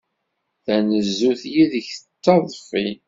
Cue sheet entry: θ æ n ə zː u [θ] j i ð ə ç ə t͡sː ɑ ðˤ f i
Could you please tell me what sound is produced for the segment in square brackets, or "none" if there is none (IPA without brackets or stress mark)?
θ